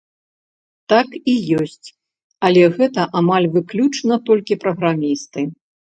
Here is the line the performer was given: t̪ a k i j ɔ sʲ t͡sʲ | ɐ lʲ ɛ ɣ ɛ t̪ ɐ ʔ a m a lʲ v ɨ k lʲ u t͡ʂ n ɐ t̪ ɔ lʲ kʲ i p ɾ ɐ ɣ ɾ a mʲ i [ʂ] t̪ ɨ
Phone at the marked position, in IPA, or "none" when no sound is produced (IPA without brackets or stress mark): s